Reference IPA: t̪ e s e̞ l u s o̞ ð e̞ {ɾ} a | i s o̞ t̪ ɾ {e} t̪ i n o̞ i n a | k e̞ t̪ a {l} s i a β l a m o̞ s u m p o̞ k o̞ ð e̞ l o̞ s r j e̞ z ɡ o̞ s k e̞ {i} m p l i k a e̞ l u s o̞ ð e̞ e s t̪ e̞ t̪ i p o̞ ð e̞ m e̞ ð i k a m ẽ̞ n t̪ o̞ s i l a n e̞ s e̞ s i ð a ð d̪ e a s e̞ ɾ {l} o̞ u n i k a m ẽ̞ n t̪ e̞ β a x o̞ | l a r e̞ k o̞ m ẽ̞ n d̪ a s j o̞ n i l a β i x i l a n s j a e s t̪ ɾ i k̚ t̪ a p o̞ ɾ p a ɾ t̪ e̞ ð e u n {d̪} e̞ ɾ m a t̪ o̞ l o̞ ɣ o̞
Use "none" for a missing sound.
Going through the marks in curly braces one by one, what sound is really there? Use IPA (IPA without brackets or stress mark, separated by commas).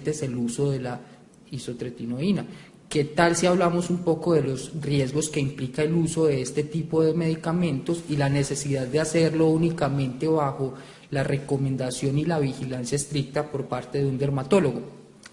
l, e, l, i, l, d̪